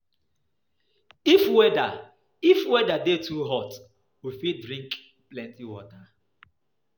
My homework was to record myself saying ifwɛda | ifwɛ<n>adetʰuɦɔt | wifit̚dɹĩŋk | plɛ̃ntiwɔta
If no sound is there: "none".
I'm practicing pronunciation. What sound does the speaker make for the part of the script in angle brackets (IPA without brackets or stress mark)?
d